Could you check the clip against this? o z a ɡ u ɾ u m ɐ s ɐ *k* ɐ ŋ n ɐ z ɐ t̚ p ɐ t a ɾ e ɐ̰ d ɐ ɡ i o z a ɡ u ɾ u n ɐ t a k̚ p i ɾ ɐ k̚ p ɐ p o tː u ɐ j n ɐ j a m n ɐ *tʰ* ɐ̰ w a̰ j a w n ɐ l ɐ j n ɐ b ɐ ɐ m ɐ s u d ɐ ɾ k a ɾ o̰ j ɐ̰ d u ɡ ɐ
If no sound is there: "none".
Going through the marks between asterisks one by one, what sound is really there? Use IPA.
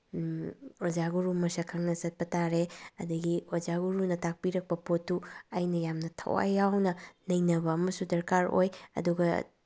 kʰ, tʰ

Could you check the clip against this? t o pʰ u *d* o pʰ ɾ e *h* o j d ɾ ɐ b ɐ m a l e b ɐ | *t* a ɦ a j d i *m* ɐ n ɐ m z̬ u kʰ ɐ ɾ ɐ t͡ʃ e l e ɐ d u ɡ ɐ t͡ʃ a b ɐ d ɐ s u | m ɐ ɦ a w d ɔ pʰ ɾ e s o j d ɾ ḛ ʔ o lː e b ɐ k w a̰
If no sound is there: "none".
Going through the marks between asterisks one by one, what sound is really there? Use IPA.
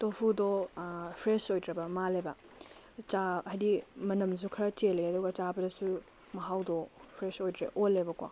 d, s, t͡ʃ, m

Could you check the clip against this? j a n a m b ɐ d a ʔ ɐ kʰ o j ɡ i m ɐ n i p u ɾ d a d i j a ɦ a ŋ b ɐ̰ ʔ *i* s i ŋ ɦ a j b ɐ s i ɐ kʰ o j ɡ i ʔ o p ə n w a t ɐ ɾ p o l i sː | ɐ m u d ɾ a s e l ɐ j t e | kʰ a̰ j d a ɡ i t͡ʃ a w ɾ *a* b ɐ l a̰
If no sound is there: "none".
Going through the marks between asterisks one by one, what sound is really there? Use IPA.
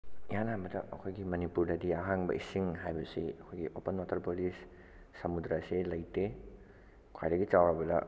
i, a

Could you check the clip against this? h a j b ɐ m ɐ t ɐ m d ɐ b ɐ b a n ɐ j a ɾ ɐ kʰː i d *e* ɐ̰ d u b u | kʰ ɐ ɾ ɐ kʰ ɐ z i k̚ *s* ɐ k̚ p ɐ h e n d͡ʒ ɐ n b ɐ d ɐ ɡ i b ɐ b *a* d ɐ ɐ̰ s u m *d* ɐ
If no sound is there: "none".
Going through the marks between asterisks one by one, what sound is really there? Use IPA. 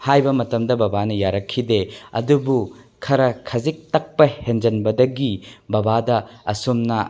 e, t, a, n

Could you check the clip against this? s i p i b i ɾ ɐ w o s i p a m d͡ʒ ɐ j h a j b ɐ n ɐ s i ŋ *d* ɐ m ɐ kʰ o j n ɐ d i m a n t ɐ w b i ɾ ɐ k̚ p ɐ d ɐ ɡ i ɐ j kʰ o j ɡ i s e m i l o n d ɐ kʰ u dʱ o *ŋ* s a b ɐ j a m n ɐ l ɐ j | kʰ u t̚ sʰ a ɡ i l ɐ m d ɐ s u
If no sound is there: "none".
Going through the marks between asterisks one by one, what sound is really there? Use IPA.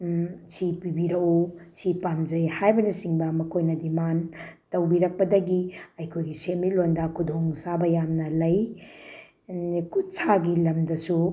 b, ŋ

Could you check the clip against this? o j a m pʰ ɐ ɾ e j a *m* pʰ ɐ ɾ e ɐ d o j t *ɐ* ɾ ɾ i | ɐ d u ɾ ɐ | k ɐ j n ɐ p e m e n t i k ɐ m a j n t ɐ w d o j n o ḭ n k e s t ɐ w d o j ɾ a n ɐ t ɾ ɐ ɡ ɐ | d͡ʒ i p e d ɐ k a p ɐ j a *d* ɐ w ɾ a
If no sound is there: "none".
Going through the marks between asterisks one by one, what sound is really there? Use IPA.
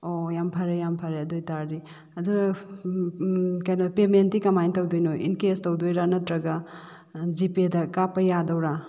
m, a, d

